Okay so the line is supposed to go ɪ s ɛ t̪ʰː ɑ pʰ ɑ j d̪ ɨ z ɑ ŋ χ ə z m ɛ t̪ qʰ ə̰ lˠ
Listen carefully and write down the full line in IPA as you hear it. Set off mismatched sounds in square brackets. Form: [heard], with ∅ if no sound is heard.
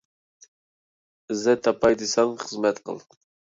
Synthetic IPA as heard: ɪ [z] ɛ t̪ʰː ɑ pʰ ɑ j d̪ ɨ [s] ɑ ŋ χ ə z m ɛ t̪ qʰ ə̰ lˠ